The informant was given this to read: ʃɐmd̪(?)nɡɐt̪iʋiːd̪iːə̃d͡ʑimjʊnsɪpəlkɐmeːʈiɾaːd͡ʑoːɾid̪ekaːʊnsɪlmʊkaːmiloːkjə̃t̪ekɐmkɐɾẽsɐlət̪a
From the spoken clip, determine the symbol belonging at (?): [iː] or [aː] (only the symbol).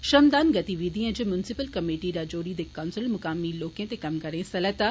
aː